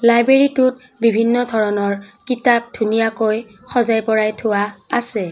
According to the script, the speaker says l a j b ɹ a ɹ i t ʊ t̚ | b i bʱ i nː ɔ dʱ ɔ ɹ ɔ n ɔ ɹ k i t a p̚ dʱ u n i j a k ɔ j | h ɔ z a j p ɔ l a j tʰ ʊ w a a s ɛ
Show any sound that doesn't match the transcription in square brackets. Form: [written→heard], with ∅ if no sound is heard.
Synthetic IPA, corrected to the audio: l a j b ɹ [a→e] ɹ i t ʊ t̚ | b i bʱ i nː ɔ dʱ ɔ ɹ ɔ n ɔ ɹ k i t a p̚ dʱ u n i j a k [ɔ→o] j | [h→x] ɔ z a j p ɔ [l→ɹ] a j tʰ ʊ w a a s ɛ